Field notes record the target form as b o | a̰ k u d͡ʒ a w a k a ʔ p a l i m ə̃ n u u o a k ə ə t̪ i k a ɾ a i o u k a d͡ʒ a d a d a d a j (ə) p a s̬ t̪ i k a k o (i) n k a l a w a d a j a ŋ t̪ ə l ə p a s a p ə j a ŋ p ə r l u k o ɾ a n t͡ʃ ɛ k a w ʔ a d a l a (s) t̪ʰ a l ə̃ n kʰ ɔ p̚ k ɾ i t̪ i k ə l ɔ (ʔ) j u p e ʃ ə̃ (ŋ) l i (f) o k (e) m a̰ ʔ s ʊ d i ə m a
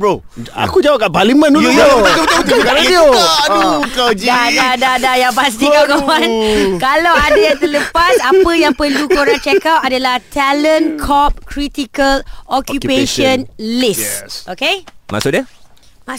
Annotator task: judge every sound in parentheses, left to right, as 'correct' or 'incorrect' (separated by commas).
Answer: incorrect, incorrect, incorrect, incorrect, incorrect, incorrect, correct